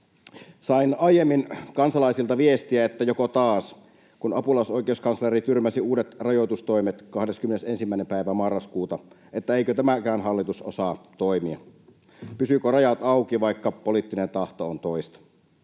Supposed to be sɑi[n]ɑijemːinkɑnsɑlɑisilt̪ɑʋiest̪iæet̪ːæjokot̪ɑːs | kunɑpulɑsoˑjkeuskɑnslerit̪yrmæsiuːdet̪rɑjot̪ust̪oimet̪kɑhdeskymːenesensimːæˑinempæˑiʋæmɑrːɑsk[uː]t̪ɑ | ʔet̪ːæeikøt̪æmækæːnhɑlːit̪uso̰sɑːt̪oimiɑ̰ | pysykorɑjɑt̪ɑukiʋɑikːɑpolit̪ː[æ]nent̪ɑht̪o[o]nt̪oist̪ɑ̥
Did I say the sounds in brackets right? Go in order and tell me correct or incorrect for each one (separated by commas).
correct, correct, incorrect, correct